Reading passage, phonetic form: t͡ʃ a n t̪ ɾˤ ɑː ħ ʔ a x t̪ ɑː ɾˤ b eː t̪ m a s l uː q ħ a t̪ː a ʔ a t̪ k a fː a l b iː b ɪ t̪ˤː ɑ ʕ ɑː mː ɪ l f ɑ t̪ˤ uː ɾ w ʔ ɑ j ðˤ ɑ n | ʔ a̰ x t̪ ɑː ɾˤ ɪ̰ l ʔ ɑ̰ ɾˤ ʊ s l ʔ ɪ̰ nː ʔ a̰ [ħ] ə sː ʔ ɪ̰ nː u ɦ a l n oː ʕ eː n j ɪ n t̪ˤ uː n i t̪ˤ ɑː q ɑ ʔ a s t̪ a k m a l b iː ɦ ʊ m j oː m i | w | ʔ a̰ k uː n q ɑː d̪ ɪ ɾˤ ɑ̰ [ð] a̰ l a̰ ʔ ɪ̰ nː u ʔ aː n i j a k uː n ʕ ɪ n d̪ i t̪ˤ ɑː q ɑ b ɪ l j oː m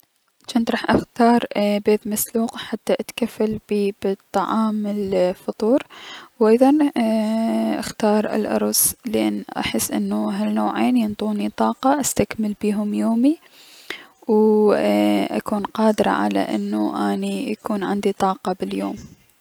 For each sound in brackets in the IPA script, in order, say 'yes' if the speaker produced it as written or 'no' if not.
yes, no

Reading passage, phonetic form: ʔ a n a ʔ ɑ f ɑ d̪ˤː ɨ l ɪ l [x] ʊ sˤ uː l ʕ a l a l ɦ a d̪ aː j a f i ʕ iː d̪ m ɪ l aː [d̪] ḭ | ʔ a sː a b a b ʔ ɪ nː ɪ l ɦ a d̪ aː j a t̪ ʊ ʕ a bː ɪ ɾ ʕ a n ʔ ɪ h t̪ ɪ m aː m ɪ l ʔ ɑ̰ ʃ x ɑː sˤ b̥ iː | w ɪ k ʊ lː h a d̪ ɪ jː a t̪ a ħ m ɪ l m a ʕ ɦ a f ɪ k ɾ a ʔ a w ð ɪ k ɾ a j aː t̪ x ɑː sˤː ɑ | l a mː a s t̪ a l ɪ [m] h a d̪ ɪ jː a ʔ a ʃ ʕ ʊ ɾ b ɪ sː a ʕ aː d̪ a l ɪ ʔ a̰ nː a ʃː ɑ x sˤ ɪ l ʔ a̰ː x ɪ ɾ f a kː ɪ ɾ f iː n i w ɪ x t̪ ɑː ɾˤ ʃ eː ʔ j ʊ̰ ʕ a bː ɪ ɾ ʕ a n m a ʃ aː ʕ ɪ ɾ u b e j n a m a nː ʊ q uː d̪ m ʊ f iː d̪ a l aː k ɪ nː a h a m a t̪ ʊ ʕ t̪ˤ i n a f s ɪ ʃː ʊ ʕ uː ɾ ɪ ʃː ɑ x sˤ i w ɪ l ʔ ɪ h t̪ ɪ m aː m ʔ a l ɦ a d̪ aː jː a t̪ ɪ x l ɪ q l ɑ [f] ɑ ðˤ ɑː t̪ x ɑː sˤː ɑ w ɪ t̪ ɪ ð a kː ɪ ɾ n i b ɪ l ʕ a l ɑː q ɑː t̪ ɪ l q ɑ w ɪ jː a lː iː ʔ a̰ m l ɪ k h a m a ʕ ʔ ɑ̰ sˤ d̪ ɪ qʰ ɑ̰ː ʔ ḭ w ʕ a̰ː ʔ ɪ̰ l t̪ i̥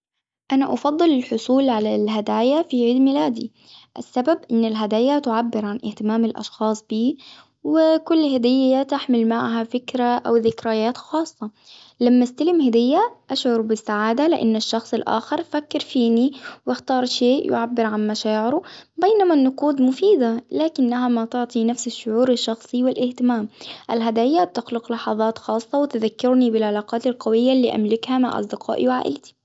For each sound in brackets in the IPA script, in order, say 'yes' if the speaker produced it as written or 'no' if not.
no, yes, yes, no

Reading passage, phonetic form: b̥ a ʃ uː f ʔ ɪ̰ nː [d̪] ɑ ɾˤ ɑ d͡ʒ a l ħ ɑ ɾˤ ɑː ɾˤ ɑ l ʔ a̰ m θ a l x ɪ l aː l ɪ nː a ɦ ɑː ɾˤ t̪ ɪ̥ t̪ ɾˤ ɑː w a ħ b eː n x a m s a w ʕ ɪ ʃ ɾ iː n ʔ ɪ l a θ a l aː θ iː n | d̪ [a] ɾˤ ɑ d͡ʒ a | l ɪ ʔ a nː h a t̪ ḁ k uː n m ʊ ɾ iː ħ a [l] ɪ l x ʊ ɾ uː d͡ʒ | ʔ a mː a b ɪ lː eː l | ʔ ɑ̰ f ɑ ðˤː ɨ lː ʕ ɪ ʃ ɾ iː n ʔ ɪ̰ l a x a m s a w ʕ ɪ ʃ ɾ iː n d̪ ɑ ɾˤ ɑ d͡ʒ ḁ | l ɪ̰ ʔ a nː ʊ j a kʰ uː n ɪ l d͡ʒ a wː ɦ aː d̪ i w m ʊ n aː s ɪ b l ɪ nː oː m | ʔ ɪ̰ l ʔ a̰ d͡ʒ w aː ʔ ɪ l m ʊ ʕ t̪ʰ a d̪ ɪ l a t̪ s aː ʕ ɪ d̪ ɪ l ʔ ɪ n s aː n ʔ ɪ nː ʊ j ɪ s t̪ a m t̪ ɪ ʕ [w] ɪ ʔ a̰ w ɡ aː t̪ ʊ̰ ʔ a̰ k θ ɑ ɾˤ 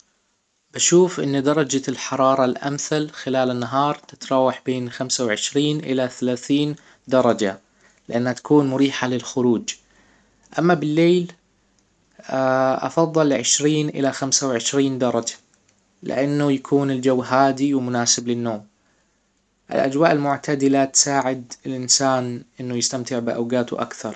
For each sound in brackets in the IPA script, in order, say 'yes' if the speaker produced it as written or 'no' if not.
yes, no, yes, no

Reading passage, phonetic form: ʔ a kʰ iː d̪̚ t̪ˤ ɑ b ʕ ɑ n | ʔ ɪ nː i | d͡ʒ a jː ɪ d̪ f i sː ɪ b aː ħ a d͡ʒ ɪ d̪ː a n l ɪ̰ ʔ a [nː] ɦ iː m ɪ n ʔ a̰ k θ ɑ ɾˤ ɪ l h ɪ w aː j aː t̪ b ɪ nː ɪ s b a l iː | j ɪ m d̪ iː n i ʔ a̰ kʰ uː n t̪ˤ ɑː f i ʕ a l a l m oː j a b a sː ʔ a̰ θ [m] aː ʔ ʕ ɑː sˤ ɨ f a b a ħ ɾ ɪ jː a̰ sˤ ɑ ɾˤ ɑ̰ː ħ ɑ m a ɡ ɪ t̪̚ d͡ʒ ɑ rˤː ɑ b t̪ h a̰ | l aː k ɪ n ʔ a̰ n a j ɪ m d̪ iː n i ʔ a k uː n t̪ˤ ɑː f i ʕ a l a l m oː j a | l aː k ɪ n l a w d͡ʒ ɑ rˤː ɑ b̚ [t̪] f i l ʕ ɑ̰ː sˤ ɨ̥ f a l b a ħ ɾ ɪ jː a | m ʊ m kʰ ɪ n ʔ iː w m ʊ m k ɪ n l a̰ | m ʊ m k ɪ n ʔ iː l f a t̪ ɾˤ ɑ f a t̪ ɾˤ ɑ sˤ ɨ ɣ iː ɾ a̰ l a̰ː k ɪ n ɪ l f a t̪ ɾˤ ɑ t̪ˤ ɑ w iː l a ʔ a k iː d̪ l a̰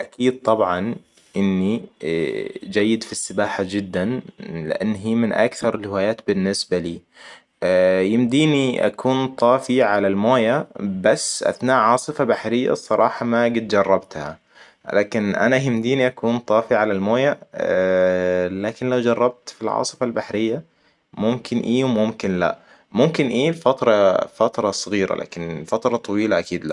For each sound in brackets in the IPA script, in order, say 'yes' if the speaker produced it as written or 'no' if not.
yes, no, yes

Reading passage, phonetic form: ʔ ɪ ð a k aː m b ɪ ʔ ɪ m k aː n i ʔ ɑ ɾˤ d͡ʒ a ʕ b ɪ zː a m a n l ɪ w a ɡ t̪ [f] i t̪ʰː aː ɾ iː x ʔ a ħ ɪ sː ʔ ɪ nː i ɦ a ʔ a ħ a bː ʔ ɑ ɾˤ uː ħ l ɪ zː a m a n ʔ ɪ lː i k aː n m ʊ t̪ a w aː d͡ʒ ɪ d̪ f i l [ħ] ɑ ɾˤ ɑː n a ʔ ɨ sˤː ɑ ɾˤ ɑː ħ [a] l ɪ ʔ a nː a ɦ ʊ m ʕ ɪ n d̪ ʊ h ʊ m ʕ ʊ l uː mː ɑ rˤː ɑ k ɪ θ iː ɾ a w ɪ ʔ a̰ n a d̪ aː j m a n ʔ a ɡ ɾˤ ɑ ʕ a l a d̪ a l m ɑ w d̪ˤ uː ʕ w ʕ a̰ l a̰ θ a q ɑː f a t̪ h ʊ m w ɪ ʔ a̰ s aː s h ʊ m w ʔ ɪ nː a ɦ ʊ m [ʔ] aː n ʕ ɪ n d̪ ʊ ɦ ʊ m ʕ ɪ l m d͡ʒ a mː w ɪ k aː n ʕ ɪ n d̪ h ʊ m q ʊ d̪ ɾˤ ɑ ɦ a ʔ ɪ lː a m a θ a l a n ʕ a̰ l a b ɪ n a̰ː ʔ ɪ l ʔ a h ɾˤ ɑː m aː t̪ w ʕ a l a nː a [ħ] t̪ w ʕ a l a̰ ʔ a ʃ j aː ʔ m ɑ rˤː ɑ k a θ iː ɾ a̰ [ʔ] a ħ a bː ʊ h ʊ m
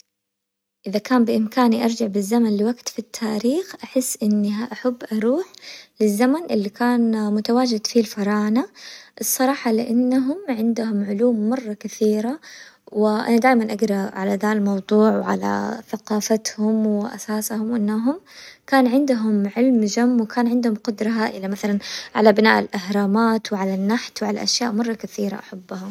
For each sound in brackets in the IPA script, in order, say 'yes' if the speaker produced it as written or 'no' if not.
yes, no, no, no, yes, yes

